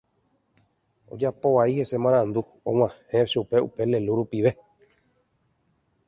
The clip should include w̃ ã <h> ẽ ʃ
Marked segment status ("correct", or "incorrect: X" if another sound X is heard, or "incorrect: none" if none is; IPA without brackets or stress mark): correct